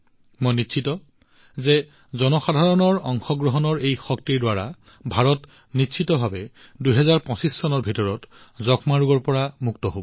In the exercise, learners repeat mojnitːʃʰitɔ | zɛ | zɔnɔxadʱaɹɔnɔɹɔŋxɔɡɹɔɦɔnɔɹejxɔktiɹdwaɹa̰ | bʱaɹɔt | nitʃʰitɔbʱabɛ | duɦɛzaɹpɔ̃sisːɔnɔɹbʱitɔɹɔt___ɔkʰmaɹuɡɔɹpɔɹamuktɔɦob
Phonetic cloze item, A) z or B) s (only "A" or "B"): A